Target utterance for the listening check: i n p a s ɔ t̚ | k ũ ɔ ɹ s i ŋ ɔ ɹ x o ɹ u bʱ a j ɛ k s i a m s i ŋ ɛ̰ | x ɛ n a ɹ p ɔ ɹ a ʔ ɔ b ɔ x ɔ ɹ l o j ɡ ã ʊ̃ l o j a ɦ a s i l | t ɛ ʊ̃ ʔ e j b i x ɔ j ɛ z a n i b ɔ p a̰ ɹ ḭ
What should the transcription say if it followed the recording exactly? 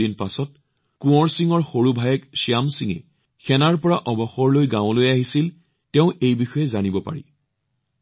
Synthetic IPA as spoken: i n p a s ɔ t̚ | k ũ ɔ ɹ s i ŋ ɔ ɹ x o ɹ u bʱ a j ɛ k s i a m s i ŋ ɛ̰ | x ɛ n a ɹ p ɔ ɹ a ʔ ɔ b ɔ x ɔ ɹ l o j ɡ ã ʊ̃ l o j a ɦ i s i l | t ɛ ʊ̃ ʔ e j b i x ɔ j ɛ z a n i b ɔ p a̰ ɹ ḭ